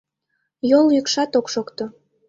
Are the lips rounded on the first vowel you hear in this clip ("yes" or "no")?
yes